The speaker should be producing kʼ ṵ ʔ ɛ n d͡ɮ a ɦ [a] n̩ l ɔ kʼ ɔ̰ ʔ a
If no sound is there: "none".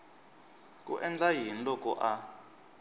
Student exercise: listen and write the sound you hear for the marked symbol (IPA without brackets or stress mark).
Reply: i